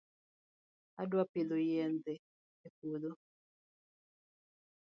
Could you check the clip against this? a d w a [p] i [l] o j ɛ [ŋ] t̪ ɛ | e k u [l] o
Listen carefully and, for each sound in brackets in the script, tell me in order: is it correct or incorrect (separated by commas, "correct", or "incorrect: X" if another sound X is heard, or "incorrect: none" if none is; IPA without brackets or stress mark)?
correct, correct, incorrect: n, correct